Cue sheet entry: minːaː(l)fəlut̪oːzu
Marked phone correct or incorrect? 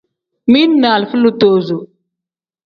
correct